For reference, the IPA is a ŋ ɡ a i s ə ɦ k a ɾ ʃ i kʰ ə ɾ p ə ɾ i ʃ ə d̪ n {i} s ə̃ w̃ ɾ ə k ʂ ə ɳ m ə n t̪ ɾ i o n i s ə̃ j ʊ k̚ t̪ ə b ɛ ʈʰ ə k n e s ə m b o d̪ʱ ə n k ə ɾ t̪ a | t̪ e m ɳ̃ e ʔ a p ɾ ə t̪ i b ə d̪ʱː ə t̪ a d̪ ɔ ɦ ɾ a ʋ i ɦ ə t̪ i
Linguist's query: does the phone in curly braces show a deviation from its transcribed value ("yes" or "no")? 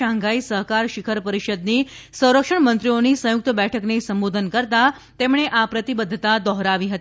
no